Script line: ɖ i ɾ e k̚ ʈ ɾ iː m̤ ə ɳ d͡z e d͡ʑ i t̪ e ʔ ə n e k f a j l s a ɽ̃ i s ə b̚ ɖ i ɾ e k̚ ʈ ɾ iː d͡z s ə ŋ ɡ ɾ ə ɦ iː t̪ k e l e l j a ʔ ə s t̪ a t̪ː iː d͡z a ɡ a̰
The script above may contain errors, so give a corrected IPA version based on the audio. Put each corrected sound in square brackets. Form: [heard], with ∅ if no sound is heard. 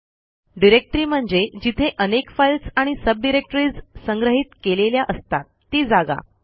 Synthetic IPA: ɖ i ɾ e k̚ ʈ ɾ iː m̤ ə ɳ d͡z e d͡ʑ i [t̪ʰ] e ʔ ə n e k f a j l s a ɽ̃ i s ə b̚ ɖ i ɾ e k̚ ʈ ɾ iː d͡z s ə ŋ ɡ ɾ ə ɦ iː t̪ k e l e l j a ʔ ə s t̪ a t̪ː iː d͡z a ɡ a̰